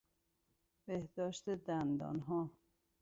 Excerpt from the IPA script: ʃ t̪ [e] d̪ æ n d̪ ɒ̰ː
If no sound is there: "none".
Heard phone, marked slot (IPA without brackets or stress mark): e